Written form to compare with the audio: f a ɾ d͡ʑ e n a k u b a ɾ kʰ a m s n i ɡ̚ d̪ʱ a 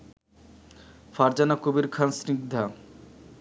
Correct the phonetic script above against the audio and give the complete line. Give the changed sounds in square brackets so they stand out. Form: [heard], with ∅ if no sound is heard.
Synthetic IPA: f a ɾ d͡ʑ [a] n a k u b [i] ɾ kʰ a [n] s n i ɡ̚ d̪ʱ a

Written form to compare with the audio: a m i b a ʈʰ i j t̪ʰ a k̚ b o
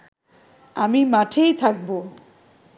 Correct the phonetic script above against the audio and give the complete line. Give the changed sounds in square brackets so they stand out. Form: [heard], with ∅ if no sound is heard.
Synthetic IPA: a m i [m] a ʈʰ [e] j t̪ʰ a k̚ b o

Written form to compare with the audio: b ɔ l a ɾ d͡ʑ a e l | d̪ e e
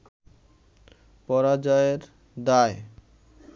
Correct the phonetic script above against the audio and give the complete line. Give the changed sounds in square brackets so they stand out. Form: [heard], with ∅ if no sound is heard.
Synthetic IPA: [p] ɔ [ɾ] a [∅] d͡ʑ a e [ɾ] | d̪ [a] e

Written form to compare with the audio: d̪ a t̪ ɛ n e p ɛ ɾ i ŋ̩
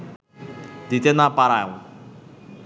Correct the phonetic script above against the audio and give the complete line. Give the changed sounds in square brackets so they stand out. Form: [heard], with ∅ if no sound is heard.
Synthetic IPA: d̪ [i] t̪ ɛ n [a] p [a] ɾ [a] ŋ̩

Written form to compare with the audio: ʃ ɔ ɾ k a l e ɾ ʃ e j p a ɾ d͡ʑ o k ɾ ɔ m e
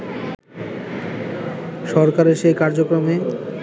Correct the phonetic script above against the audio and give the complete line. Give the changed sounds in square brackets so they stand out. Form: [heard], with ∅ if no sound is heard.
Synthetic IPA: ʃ ɔ ɾ k a [ɾ] e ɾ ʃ e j [k] a ɾ d͡ʑ o k ɾ [o] m e

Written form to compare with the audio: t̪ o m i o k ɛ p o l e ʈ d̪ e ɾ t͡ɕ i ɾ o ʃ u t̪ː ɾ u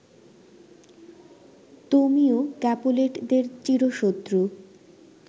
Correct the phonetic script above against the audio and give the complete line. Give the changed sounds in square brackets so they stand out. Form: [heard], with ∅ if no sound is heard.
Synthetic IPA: t̪ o m i o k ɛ p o l e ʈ d̪ e ɾ t͡ɕ i ɾ o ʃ [o] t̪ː ɾ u

